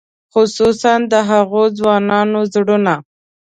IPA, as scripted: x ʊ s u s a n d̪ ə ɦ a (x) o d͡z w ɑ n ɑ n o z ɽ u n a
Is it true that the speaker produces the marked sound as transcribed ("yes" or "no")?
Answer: no